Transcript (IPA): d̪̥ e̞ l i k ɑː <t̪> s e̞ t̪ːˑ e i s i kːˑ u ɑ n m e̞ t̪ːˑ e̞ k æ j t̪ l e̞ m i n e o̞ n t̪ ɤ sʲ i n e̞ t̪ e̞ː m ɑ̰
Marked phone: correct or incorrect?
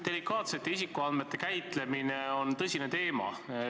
correct